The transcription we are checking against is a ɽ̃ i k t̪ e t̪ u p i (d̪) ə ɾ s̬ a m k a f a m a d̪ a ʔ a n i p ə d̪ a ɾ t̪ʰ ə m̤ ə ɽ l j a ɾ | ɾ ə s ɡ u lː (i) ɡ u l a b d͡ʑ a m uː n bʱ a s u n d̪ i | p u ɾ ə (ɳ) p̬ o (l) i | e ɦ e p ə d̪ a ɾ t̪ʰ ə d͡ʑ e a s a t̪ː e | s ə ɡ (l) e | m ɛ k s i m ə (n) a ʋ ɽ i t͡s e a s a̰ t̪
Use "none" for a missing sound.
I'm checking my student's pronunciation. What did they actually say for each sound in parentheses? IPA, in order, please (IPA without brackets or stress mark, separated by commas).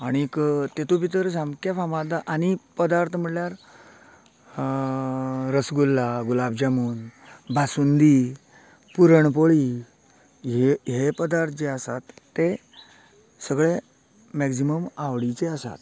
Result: t̪, a, ɳ, ɭ, ɭ, m